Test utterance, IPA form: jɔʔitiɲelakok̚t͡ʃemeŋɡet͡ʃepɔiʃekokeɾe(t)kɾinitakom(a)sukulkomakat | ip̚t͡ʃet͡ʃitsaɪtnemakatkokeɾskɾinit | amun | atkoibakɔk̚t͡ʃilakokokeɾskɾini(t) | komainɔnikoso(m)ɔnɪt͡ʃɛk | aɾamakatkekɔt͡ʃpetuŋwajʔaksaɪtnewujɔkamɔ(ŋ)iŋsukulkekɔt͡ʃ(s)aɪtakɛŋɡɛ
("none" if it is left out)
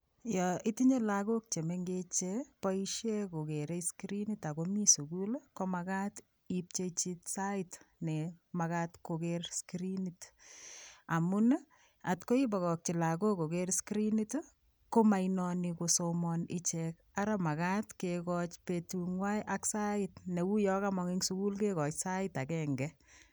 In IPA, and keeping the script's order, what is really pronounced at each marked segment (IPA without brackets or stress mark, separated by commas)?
s, i, t, m, ŋ, s